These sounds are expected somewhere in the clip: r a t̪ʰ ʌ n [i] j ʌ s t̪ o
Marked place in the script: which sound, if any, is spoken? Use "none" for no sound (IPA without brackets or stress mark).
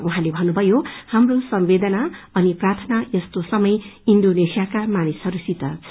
a